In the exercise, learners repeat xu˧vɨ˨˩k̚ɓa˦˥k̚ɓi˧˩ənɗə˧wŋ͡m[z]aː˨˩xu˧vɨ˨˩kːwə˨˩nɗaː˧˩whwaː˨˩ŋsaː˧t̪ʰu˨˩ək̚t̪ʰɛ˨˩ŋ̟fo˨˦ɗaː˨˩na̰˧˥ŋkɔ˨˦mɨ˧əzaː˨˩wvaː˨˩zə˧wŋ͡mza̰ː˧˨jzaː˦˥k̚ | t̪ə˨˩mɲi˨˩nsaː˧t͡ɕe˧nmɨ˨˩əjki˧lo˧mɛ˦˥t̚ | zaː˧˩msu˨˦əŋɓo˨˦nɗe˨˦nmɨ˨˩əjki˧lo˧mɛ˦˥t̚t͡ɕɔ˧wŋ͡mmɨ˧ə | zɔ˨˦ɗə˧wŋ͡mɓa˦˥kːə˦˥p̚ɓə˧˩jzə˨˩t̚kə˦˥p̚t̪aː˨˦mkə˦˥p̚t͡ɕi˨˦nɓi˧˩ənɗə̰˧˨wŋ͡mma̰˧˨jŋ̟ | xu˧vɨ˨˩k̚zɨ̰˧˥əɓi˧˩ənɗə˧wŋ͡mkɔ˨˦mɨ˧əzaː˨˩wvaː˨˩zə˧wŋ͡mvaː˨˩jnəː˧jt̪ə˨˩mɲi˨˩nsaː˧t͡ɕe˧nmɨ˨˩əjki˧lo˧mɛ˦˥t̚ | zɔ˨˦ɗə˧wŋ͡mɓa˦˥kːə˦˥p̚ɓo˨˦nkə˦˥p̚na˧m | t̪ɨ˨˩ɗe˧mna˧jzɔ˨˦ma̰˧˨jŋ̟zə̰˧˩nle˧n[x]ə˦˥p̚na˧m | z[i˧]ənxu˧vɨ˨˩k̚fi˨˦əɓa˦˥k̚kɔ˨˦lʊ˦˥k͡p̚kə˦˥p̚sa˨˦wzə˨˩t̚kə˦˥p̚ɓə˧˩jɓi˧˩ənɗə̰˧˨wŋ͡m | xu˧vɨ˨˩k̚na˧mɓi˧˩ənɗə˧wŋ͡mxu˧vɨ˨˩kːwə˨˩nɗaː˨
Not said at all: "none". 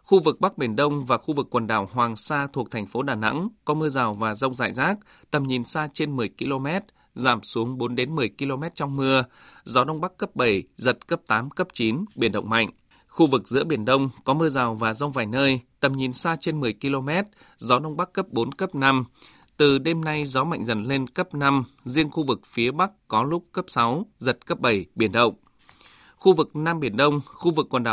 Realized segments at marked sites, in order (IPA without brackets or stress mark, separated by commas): v, k, i˧